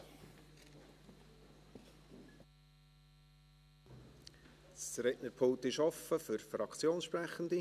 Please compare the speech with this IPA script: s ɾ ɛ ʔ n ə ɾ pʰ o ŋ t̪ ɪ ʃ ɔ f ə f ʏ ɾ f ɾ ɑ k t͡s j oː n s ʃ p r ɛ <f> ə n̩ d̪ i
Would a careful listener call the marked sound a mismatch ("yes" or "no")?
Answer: yes